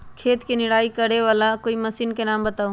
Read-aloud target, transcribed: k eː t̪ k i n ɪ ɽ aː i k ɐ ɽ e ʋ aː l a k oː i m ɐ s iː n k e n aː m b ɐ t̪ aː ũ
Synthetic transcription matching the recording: kʰ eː t̪ k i n ɪ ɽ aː i k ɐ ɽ e ʋ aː l a k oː i m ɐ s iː n k e n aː m b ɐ t̪ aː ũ